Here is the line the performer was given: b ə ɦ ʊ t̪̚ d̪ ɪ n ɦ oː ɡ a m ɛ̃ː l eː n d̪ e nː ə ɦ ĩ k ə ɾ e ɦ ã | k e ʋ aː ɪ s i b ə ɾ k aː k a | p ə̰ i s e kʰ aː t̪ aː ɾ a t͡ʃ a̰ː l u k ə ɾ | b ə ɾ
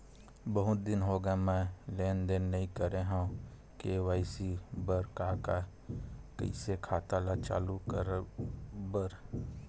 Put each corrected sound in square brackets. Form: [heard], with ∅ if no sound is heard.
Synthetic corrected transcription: b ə ɦ ʊ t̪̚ d̪ ɪ n ɦ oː ɡ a m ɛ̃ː l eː n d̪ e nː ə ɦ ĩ k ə ɾ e ɦ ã | k e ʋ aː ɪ s i b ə ɾ k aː k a | [k] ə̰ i s e kʰ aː t̪ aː [l] a t͡ʃ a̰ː l u k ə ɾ | b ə ɾ